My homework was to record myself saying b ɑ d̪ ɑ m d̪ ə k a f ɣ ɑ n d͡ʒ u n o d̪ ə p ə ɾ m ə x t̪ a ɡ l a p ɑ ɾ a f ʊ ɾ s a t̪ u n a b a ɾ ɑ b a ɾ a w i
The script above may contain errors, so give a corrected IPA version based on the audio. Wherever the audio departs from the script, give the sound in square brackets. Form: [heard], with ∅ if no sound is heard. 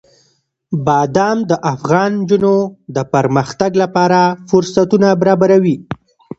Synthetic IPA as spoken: b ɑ d̪ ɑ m d̪ ə [ʔ] a f ɣ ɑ n d͡ʒ u n o d̪ ə p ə ɾ m ə x t̪ a ɡ l a p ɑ ɾ a f ʊ ɾ s a t̪ u n a b a ɾ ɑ b a ɾ a w i